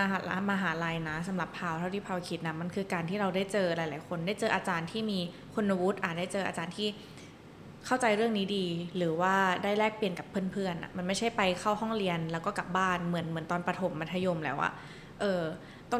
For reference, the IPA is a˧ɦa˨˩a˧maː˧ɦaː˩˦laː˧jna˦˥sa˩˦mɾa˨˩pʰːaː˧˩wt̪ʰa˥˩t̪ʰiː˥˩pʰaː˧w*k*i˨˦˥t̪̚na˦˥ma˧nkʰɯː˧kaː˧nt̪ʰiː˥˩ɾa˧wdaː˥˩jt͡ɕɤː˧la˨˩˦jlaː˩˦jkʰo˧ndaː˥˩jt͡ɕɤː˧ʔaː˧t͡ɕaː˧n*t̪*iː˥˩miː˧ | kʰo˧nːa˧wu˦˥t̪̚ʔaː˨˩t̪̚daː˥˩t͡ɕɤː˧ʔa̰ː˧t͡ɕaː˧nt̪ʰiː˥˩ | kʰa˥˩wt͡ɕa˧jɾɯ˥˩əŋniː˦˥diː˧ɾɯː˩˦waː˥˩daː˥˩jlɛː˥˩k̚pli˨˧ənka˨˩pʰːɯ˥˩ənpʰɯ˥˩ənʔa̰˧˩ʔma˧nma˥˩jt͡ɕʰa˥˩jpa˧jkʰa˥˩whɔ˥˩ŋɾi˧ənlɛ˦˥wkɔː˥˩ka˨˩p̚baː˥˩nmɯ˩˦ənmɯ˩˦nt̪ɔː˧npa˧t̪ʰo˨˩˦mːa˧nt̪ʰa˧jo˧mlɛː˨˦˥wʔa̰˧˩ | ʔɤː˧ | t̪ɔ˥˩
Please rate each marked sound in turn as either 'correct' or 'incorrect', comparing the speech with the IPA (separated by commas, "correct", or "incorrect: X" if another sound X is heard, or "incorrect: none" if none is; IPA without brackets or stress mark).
incorrect: kʰ, incorrect: t̪ʰ